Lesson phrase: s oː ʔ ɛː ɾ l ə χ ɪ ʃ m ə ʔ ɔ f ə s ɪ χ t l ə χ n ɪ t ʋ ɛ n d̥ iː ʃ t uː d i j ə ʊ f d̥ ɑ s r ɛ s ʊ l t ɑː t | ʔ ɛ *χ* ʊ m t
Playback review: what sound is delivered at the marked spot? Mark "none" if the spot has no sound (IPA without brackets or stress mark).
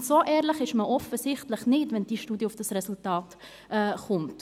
χ